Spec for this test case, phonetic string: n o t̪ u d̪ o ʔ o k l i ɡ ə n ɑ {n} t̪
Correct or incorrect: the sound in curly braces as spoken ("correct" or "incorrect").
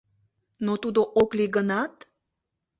incorrect